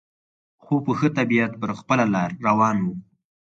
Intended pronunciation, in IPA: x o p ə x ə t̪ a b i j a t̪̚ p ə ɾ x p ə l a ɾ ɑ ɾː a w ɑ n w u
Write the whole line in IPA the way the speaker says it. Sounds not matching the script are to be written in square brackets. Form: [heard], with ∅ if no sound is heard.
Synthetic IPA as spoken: x o p ə x ə t̪ a b i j a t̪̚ p ə ɾ x p ə l a [l] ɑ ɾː a w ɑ n w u